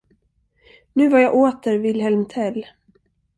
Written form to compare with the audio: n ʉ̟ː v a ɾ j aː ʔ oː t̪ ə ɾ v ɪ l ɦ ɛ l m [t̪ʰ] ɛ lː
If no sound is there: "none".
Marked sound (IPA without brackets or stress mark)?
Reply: t̪ʰ